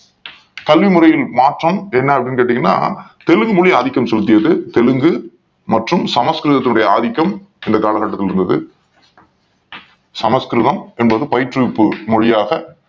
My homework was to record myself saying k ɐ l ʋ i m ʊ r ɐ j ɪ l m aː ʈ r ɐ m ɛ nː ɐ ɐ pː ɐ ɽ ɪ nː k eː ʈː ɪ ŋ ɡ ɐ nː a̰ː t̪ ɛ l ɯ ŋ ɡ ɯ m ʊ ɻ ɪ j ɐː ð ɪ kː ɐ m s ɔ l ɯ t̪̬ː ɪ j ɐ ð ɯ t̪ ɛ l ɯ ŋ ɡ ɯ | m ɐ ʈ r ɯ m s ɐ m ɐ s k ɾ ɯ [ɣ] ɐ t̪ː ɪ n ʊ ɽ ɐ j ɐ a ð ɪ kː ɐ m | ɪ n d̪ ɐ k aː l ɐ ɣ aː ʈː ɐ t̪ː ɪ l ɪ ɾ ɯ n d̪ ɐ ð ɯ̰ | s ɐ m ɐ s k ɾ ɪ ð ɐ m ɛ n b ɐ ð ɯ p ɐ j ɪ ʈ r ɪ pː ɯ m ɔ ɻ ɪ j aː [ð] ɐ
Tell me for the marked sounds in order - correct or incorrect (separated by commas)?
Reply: incorrect, incorrect